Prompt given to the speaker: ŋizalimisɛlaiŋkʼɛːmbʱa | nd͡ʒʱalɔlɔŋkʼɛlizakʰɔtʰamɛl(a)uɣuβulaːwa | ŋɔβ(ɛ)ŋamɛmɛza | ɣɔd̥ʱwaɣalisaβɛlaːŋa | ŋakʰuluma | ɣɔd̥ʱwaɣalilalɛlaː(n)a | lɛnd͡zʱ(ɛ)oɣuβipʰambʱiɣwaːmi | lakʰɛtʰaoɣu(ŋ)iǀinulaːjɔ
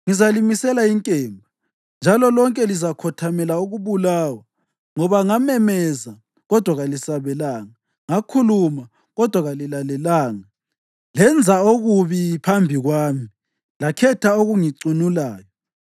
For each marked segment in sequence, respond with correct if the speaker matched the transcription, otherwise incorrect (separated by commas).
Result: correct, incorrect, incorrect, incorrect, correct